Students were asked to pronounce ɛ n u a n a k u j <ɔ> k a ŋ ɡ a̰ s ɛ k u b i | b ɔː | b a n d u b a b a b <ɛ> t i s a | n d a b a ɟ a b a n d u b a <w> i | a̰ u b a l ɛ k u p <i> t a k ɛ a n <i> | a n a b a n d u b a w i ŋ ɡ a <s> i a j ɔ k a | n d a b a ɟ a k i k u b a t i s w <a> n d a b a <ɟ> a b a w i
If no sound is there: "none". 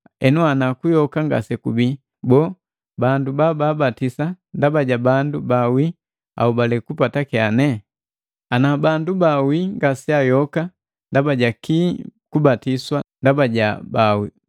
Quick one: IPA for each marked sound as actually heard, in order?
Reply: ɔ, a, w, a, ɛ, s, a, ɟ

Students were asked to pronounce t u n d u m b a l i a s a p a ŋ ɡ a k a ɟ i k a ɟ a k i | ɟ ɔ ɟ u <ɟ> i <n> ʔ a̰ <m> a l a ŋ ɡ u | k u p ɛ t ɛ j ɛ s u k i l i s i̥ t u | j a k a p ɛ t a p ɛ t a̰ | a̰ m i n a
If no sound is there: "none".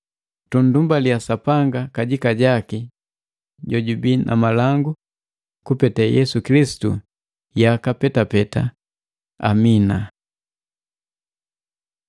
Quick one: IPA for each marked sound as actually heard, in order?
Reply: b, n, m

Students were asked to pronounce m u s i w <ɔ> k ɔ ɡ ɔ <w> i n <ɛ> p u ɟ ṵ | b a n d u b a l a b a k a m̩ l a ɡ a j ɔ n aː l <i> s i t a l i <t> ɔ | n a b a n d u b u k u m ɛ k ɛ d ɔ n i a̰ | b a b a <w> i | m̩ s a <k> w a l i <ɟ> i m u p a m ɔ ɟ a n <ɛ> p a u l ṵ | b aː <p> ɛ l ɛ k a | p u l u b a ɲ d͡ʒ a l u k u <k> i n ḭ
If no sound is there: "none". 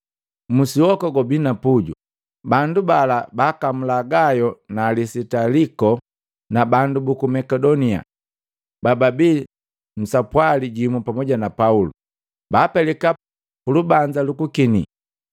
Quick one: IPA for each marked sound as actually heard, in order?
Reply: ɔ, b, a, i, k, b, p, ɟ, a, p, k

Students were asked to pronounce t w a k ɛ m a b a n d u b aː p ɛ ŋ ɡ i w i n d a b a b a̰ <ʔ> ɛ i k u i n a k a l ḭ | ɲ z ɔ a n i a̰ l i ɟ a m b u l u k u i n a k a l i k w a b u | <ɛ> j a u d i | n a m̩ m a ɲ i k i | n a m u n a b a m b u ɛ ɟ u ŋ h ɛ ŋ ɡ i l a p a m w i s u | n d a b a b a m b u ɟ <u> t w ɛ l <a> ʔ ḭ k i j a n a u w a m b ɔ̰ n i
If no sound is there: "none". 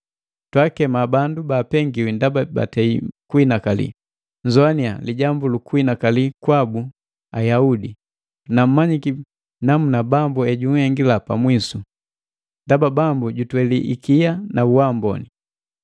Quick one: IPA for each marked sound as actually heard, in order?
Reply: t, a, u, i

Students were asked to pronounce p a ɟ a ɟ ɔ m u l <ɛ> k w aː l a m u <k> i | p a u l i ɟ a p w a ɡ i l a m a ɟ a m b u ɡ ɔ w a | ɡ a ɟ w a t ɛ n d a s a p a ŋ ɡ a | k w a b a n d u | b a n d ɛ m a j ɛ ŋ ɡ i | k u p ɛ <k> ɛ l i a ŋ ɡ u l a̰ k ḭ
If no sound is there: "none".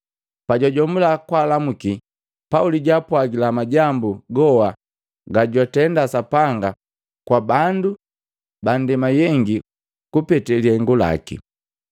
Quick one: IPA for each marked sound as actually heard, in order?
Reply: a, k, t

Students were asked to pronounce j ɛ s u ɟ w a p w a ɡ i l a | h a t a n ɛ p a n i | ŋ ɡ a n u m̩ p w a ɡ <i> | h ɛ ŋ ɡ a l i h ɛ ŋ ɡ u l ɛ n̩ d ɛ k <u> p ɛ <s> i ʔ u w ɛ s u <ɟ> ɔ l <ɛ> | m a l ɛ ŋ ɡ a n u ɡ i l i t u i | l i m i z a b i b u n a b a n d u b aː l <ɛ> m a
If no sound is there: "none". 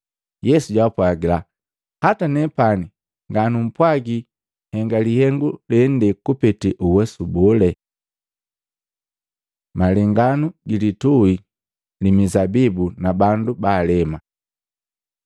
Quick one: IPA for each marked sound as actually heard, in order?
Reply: i, u, t, b, ɛ, ɛ

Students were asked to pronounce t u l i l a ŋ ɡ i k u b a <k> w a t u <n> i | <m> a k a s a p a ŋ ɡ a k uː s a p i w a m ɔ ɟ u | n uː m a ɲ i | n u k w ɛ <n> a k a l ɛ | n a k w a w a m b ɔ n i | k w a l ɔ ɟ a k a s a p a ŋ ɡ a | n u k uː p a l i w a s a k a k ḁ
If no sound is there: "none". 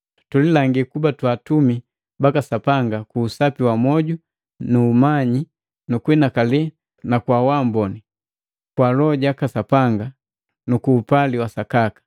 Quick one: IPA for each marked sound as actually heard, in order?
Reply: t, m, b, n

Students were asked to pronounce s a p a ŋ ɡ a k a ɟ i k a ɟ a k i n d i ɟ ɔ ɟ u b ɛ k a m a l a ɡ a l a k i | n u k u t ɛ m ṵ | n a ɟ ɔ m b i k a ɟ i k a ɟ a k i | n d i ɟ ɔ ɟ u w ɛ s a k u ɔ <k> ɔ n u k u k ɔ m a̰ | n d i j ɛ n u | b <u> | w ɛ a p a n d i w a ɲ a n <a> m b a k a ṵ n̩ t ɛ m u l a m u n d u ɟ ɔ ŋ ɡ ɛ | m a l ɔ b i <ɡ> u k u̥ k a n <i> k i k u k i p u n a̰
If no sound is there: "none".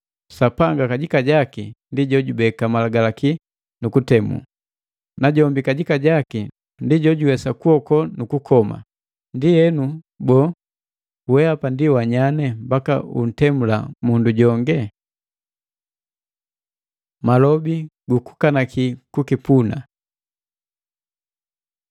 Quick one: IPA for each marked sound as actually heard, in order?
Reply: k, ɔ, ɛ, ɡ, a

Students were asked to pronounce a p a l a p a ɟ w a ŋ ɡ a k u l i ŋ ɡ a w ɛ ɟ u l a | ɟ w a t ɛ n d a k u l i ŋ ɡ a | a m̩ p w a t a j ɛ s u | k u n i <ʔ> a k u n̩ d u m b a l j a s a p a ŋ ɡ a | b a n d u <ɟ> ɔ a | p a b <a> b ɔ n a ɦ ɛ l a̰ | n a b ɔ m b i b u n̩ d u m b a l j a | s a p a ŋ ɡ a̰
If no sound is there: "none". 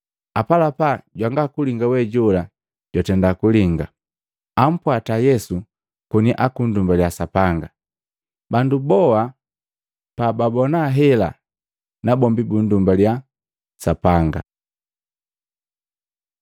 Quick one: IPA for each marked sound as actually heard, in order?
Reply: ʔ, b, a

